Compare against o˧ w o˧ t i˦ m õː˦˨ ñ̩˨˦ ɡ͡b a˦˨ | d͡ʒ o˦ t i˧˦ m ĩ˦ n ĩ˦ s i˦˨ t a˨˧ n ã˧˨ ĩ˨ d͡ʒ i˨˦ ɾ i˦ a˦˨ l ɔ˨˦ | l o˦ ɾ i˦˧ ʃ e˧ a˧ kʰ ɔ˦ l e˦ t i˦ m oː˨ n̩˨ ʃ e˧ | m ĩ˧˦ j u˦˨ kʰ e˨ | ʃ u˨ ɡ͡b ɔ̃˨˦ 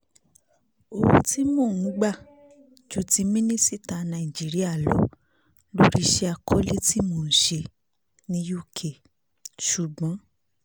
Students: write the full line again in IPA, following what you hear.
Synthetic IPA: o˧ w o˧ t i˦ m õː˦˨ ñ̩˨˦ ɡ͡b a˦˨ | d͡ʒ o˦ t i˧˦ m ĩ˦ n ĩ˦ s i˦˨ t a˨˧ n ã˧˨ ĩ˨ d͡ʒ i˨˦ ɾ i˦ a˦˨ l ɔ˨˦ | l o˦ ɾ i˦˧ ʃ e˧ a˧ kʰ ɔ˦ l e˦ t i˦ m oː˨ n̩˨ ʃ e˧ | n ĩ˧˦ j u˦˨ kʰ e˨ | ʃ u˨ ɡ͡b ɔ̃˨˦